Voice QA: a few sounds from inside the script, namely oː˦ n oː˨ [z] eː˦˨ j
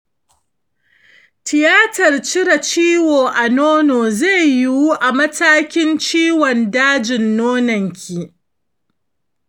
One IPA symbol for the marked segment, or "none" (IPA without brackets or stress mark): z